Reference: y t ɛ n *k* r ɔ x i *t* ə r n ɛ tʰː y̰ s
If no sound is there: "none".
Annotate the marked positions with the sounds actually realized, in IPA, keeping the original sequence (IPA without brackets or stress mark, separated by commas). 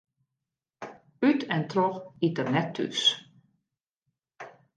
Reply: t, t